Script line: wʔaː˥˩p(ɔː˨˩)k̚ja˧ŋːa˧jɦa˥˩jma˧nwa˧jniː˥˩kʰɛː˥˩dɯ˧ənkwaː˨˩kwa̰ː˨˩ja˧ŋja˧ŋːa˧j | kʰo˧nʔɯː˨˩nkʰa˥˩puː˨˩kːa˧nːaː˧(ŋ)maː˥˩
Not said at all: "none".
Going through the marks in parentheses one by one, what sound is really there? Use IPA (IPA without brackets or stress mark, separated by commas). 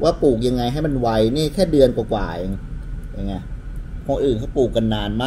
uː˨˩, n